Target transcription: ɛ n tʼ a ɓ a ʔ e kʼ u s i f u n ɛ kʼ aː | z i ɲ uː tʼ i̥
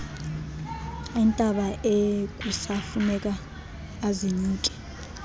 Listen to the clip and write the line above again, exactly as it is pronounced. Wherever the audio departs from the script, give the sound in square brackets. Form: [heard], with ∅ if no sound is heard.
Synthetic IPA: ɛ n tʼ a ɓ a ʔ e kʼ u s [a] f u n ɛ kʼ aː | z i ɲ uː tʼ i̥